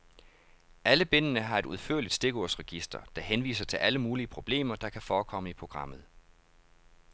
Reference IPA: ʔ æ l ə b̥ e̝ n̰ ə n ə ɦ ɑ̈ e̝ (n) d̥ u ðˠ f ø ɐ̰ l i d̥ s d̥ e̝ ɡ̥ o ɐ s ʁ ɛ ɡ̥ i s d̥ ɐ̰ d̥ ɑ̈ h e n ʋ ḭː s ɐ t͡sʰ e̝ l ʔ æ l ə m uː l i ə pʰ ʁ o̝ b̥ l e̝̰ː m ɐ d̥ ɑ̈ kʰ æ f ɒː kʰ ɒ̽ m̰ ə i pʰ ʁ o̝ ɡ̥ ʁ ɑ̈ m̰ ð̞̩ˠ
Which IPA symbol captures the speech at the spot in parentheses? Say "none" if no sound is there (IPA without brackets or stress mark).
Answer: none